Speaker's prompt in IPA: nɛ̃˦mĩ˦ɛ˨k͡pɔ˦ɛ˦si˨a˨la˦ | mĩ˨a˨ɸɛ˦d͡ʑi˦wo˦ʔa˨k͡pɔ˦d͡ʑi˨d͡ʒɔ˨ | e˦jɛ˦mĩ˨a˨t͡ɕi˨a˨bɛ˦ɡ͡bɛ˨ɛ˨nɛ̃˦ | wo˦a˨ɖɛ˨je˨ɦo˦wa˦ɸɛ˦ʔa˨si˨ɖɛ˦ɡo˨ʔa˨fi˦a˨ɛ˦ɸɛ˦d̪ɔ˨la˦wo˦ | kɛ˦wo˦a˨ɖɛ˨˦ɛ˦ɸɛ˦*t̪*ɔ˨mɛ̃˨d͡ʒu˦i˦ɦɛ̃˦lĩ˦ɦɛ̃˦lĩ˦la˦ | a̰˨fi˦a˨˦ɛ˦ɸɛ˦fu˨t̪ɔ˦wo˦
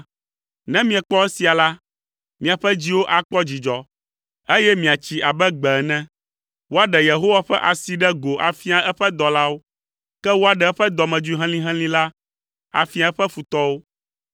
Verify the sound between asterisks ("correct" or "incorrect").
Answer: incorrect